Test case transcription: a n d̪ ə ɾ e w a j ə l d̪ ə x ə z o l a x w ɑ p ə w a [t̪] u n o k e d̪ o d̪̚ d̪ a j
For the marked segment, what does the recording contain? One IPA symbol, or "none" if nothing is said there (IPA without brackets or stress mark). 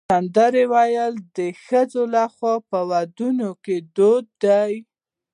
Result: d̪